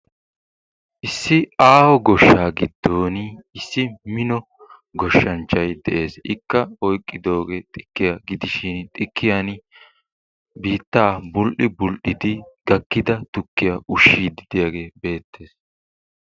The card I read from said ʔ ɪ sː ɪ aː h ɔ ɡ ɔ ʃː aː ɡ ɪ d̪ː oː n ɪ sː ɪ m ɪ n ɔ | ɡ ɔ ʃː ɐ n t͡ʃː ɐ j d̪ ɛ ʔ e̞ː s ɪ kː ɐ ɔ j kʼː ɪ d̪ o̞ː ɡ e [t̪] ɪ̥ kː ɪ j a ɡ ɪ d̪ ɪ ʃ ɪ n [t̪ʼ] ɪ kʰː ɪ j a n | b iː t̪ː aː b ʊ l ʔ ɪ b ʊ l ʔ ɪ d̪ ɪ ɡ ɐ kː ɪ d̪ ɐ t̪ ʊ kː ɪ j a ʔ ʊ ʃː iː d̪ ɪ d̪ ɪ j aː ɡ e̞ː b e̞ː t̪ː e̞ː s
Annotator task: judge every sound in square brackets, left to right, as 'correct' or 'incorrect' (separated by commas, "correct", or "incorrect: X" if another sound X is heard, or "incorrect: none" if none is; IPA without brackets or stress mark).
incorrect: t̪ʼ, correct